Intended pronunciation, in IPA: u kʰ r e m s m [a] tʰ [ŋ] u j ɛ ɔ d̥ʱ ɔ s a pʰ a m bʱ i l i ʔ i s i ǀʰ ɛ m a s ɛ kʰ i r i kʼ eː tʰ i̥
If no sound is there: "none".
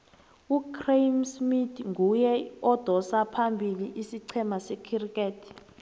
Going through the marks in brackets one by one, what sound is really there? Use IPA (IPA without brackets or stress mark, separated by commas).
i, ŋ